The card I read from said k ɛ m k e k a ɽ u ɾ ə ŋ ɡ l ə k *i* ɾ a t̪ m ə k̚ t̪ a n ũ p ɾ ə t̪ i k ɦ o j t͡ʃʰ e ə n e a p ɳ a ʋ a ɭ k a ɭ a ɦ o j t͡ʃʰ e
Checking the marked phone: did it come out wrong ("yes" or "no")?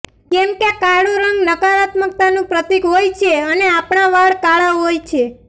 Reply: yes